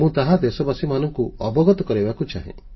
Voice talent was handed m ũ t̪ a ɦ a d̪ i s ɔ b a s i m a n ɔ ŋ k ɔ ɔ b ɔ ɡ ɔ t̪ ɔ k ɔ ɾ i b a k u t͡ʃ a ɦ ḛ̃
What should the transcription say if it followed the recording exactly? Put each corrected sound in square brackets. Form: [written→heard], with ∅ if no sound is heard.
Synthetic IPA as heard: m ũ t̪ a ɦ a d̪ [i→e] s ɔ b a s i m a n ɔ ŋ k [ɔ→u] ɔ b ɔ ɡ ɔ t̪ ɔ k ɔ ɾ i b a k u t͡ʃ a ɦ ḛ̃